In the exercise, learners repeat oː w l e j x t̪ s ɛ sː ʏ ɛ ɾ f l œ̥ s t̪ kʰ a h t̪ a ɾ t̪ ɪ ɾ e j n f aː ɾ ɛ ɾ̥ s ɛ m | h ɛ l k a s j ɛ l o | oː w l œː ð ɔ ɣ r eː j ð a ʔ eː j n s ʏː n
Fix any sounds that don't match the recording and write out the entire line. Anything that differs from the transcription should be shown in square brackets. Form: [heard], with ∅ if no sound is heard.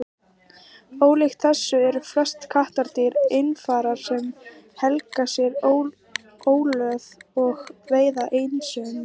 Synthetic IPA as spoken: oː w l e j x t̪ [θ] ɛ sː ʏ ɛ ɾ f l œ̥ s t̪ kʰ a h t̪ a ɾ t̪ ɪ ɾ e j n f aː ɾ [a] ɾ̥ s ɛ m | h ɛ l k a s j ɛ [ɾ] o | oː w l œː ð ɔ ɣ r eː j ð a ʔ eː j n s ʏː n